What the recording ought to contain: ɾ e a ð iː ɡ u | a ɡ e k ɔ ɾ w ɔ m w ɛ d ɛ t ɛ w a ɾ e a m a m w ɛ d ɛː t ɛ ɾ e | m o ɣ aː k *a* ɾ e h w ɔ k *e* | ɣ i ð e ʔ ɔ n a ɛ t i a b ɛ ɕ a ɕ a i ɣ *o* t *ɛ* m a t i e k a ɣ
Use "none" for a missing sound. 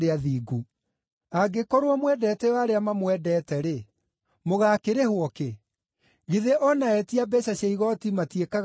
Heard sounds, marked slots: e, e, ɔ, i

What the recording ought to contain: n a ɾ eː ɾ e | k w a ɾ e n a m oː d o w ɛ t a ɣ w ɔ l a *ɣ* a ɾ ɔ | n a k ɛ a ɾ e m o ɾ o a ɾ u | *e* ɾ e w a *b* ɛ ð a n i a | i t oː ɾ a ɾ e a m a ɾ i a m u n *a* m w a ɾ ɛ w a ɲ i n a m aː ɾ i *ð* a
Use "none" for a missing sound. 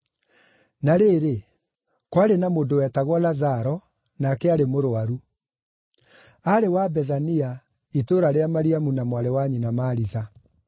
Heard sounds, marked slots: z, a, b, a, ð

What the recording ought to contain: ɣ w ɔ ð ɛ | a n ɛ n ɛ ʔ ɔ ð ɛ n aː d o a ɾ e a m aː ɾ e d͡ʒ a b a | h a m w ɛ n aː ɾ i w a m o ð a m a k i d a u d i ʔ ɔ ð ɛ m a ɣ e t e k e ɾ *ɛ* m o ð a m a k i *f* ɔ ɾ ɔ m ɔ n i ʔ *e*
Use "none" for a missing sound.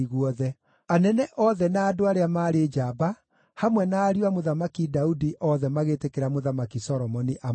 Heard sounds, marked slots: a, s, a

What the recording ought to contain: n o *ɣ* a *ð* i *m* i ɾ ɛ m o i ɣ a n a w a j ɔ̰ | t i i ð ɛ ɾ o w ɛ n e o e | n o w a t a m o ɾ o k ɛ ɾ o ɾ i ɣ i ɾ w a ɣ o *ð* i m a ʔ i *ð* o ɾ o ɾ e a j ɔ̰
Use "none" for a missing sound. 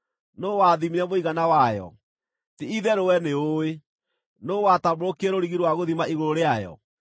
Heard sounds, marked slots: w, ð, m, ð, ɣ

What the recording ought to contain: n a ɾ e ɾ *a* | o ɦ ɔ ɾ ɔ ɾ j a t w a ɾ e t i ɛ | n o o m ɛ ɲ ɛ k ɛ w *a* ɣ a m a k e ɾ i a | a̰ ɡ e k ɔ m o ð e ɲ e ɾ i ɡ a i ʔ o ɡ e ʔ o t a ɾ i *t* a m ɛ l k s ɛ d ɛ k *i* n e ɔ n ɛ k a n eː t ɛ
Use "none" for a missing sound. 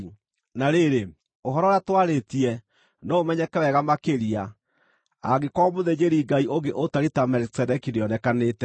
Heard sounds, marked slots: e, ɛ, t, i

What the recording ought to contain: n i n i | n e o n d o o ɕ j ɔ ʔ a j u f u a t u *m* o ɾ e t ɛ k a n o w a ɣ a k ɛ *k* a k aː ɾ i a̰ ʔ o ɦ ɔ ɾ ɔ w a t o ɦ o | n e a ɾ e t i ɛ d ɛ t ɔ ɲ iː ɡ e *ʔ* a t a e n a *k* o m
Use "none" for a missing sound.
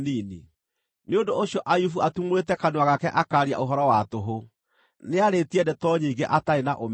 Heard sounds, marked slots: m, ʔ, ʔ, ʔ

